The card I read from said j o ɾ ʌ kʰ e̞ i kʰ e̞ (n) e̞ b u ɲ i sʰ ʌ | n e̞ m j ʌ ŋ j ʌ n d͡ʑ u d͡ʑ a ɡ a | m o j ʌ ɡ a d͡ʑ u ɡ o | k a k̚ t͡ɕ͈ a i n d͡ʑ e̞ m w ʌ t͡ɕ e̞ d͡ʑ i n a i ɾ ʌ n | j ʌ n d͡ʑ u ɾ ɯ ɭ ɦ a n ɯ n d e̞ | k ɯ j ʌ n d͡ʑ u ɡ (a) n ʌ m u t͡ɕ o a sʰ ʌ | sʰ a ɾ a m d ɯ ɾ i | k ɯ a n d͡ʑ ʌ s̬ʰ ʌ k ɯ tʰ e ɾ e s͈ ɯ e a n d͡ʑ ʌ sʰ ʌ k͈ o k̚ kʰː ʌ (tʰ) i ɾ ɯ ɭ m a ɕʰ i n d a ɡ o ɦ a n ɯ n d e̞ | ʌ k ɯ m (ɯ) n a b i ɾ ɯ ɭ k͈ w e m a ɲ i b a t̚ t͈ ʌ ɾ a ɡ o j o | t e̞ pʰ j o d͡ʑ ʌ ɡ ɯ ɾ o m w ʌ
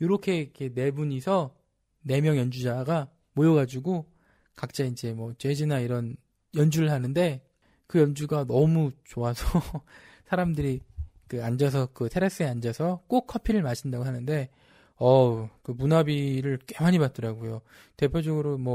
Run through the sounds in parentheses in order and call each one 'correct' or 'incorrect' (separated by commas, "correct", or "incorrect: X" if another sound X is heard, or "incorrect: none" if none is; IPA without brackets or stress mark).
correct, correct, incorrect: pʰ, incorrect: u